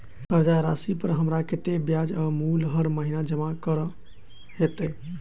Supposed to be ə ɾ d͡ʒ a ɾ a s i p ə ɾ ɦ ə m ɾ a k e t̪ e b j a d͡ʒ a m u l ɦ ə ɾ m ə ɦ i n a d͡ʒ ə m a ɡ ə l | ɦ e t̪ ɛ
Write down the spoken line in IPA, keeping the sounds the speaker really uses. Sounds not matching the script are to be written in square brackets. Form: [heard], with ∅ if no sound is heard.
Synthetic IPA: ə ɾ d͡ʒ a ɾ a s i p ə ɾ ɦ ə m ɾ a k e t̪ e b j a d͡ʒ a m u l ɦ ə ɾ m ə ɦ i n a d͡ʒ ə m a [k] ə [ɾ] | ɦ e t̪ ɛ